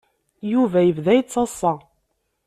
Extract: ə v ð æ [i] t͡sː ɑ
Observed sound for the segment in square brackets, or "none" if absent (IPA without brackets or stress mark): j